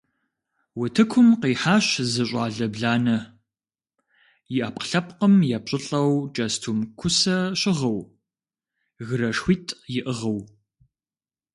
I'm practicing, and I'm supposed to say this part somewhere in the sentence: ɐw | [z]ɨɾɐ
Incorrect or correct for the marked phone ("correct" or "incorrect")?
incorrect